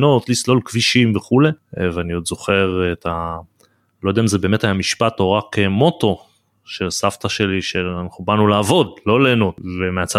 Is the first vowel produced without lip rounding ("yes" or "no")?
no